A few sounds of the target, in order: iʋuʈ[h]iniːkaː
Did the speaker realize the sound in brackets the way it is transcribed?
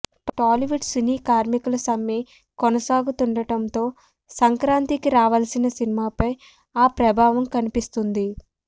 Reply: no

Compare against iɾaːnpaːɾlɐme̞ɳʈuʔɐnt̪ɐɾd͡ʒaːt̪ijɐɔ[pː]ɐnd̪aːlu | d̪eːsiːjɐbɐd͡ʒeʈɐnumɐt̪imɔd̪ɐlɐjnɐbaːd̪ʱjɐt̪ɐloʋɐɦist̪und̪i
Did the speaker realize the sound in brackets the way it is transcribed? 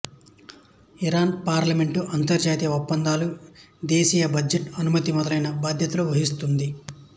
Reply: yes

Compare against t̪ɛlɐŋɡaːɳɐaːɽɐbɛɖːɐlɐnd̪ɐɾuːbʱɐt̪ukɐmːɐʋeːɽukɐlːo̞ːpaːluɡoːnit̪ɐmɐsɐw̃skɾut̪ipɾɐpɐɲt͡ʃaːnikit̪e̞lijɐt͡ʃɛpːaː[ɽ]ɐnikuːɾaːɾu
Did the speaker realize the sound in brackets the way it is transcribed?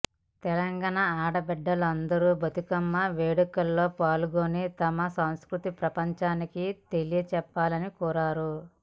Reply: no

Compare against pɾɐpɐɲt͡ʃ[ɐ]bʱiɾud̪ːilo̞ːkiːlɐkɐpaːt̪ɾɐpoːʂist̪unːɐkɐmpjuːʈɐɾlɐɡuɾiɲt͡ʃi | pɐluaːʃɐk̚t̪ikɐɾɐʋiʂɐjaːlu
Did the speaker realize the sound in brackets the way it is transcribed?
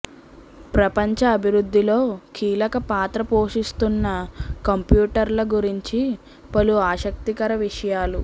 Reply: no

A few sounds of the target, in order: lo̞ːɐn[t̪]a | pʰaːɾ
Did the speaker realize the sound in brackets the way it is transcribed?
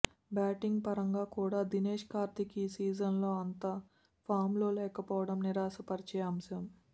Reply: yes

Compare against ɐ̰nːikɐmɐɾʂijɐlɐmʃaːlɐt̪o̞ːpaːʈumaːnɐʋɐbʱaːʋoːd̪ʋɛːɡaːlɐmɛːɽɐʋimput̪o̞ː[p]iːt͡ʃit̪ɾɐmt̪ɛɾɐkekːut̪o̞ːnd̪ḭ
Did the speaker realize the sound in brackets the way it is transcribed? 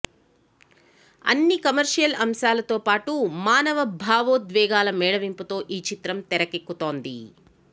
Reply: no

